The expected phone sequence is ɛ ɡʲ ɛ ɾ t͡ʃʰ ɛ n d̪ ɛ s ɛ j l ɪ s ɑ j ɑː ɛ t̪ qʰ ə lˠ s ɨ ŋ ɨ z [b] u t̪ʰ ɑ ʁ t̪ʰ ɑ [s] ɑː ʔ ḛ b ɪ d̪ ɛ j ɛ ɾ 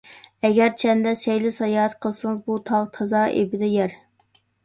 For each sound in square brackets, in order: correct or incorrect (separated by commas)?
correct, incorrect